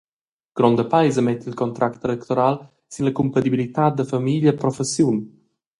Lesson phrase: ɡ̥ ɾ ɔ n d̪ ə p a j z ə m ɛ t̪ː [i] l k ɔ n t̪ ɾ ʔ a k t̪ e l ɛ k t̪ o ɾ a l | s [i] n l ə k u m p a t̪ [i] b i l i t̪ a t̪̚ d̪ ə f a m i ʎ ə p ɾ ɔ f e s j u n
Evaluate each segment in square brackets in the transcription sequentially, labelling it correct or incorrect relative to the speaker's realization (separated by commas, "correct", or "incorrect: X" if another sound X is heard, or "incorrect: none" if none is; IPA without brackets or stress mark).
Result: correct, correct, correct